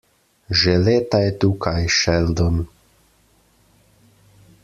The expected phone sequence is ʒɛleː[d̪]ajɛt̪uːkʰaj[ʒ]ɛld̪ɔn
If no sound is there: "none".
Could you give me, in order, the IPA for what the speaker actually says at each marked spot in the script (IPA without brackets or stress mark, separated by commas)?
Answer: t̪, ʃ